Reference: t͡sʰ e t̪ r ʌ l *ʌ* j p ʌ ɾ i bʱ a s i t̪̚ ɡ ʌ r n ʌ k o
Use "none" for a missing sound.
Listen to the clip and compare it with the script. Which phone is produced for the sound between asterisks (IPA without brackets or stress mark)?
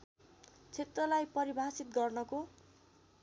a